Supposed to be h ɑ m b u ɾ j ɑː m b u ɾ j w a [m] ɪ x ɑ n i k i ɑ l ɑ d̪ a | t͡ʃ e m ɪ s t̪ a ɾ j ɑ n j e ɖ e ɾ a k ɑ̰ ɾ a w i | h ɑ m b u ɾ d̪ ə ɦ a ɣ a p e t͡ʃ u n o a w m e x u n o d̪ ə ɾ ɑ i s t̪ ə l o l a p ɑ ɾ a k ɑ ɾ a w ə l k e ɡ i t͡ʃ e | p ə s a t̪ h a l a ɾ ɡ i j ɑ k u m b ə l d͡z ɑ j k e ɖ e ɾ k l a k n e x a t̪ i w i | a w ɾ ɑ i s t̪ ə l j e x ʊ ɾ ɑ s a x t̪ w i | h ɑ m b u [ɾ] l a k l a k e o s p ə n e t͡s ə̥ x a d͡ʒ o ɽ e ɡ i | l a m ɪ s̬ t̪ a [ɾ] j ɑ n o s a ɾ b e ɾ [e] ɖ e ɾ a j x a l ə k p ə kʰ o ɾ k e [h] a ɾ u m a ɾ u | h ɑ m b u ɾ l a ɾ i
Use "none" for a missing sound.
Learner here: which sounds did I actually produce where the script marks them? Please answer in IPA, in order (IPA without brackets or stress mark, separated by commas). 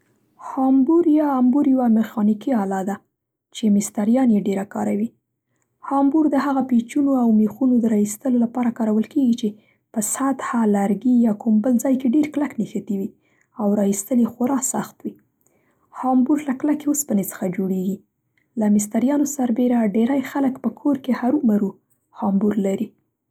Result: m, ɾ, ɾ, a, h